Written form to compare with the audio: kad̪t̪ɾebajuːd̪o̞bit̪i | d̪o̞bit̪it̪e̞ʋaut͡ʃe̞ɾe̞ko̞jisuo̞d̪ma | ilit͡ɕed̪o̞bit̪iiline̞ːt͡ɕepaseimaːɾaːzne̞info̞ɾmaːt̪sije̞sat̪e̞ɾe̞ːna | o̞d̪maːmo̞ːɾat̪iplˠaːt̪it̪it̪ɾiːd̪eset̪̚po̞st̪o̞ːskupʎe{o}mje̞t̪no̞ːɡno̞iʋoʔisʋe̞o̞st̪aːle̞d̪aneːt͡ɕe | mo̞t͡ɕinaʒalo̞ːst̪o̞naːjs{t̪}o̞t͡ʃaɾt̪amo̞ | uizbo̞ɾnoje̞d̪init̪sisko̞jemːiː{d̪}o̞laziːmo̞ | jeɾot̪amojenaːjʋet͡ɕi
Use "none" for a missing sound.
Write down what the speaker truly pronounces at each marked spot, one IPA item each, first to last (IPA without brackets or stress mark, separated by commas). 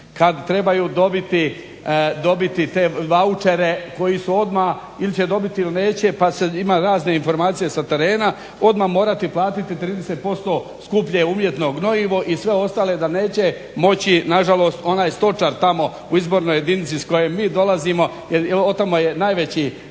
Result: u, t̪, d̪